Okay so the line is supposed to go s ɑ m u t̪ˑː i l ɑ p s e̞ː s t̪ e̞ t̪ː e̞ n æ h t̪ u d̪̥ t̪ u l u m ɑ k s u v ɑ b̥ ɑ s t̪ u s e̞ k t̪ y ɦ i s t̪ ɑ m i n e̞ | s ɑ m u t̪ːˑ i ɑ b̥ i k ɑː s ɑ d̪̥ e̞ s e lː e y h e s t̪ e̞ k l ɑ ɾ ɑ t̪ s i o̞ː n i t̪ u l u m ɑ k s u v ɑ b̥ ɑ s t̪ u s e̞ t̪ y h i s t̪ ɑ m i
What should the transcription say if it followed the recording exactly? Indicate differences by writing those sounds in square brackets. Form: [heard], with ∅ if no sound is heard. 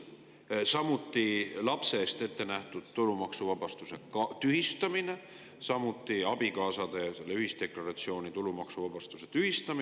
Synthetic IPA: s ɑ m u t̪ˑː i l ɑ p s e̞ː s t̪ e̞ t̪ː e̞ n æ h t̪ u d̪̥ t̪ u l u m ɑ k s u v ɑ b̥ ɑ s t̪ u s e̞ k t̪ y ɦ i s t̪ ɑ m i n e̞ | s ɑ m u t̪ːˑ i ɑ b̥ i k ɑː s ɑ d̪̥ e̞ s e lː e y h [i] s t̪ e̞ k l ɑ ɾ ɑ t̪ s i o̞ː n i t̪ u l u m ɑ k s u v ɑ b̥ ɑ s t̪ u s e̞ t̪ y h i s t̪ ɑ m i